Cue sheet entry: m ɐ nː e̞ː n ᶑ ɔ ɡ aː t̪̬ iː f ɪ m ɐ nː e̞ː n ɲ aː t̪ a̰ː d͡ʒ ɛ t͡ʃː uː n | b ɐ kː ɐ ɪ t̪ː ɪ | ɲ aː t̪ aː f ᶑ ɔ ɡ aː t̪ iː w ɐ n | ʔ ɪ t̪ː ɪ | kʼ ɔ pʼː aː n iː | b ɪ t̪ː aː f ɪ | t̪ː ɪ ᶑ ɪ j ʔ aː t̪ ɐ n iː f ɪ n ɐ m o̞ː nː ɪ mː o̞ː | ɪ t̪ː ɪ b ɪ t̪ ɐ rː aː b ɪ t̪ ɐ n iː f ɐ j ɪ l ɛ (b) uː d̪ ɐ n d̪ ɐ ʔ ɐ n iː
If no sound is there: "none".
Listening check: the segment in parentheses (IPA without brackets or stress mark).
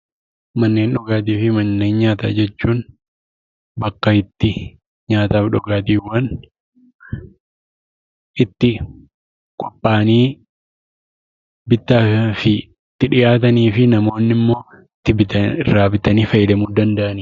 m